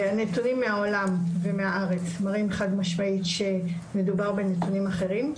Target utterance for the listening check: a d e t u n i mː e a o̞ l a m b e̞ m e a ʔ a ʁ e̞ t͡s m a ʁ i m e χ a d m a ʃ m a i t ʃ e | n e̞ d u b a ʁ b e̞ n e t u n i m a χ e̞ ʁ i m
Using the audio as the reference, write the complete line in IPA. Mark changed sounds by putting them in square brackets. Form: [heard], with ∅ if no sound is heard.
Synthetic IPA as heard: a [n] e t u n i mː e a o̞ l a m [v] e̞ m e a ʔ a ʁ e̞ t͡s m a ʁ i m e χ a d m a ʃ m a i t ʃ e | [m] e̞ d u b a ʁ b e̞ n e t u n i m a χ e̞ ʁ i m